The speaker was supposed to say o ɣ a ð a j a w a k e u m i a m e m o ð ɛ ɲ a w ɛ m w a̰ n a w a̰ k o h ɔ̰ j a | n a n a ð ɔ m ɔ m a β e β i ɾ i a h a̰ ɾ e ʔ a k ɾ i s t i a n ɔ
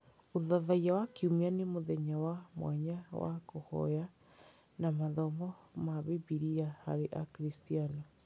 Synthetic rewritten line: o ð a ð a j a w a k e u m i a n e m o ð ɛ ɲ a w a m w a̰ ɲ a w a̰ k o h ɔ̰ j a | n a m a ð ɔ m ɔ m a β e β i ɾ i a h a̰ ɾ e ʔ a k ɾ i s t i a n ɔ